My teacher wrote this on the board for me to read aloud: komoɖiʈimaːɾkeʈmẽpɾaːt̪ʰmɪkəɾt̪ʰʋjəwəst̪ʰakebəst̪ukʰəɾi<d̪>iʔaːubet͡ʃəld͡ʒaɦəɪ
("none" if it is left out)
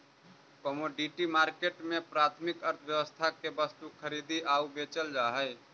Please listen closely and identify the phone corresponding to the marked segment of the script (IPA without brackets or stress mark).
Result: d̪